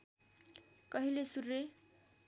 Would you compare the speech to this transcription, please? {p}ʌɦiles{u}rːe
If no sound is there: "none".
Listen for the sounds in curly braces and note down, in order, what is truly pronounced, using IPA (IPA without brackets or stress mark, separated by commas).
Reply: k, u